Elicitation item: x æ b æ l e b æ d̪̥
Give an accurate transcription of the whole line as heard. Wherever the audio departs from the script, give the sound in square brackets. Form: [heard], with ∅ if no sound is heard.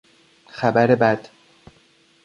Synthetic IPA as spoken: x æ b æ [ɾ] e b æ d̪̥

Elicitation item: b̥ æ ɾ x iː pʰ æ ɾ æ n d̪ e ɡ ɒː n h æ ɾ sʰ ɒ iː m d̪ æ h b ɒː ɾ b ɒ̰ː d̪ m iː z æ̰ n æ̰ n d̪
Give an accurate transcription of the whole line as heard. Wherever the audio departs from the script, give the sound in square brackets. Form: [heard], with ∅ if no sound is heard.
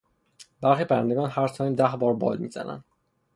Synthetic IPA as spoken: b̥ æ ɾ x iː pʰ æ ɾ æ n d̪ e ɡ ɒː n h æ ɾ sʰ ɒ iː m d̪ æ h b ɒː ɾ b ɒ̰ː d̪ m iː z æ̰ n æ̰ n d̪

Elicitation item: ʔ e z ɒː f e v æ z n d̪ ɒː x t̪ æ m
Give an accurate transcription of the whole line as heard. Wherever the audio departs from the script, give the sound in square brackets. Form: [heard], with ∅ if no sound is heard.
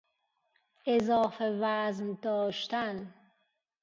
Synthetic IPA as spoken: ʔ e z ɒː f e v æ z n d̪ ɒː [ʃ] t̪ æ [n]

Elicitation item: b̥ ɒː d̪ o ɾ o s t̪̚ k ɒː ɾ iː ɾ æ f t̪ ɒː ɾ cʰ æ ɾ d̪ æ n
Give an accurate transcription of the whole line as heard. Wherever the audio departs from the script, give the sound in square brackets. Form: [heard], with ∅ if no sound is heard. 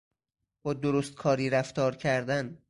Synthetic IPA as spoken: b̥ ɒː d̪ o ɾ o s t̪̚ [kʰ] ɒː ɾ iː ɾ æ f t̪ ɒː ɾ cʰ æ ɾ d̪ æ n

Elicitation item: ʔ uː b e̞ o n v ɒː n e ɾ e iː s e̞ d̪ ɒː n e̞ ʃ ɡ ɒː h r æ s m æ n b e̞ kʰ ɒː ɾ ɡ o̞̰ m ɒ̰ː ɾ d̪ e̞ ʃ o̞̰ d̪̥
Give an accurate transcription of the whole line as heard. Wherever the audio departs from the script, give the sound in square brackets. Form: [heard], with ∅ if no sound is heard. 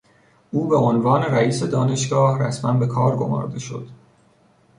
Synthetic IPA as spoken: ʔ uː b e̞ o n v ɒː n e ɾ [æ] iː s e̞ d̪ ɒː n e̞ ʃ ɡ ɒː h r æ s m æ n b e̞ kʰ ɒː ɾ ɡ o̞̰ m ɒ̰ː ɾ d̪ e̞ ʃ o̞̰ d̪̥

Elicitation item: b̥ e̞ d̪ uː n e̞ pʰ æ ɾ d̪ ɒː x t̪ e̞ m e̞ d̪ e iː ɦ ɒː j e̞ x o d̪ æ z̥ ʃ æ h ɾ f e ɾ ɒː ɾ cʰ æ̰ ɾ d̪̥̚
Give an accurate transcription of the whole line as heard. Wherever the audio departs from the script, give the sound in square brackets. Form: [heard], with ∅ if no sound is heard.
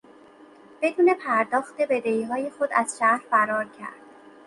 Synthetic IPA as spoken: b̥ e̞ d̪ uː n e̞ pʰ æ ɾ d̪ ɒː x t̪ e̞ [b] e̞ d̪ e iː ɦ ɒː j e̞ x o d̪ æ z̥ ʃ æ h ɾ f [æ] ɾ ɒː ɾ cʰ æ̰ ɾ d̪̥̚

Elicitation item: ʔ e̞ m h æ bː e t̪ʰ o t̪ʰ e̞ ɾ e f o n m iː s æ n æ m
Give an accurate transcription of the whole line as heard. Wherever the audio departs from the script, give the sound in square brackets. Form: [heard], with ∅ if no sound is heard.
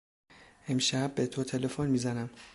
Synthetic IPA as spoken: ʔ e̞ m [ʃ] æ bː e t̪ʰ o t̪ʰ e̞ [l] e f o n m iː [z] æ n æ m

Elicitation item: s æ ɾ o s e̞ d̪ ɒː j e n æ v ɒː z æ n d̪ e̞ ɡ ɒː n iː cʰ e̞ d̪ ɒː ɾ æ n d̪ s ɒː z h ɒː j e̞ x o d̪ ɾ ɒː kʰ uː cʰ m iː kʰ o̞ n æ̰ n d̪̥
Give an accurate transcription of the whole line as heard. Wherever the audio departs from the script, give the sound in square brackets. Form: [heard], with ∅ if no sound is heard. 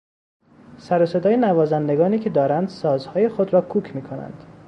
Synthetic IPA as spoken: s æ ɾ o s e̞ d̪ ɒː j e n æ v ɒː z æ n d̪ e̞ ɡ ɒː n iː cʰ e̞ d̪ ɒː ɾ æ n d̪ s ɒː z h ɒː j e̞ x o d̪ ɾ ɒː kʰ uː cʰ m iː kʰ o̞ n æ̰ n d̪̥

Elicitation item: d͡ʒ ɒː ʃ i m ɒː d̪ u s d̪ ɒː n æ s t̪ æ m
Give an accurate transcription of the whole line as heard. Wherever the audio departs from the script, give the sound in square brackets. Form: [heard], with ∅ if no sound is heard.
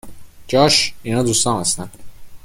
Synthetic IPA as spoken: d͡ʒ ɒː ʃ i [n] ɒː d̪ u s [t̪] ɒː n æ s t̪ æ [n]

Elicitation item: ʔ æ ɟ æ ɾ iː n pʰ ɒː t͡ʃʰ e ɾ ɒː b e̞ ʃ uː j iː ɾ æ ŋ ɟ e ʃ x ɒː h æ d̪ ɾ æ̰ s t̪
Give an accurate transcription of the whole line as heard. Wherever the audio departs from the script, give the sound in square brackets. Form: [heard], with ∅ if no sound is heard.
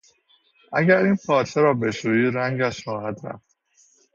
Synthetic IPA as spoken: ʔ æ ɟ æ ɾ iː n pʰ ɒː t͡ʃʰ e ɾ ɒː b e̞ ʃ uː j iː ɾ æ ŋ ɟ [æ] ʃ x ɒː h æ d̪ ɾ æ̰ [f] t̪

